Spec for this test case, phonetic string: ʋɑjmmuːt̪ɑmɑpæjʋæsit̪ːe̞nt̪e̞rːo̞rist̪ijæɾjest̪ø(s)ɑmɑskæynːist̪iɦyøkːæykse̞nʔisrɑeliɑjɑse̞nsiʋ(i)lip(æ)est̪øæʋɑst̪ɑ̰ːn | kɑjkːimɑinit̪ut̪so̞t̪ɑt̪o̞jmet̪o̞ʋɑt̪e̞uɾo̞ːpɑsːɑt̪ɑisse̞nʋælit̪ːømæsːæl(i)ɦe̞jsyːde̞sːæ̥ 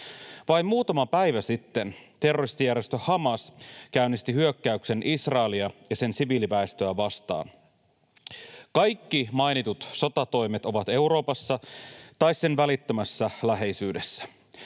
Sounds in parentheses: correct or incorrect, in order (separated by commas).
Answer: incorrect, incorrect, correct, incorrect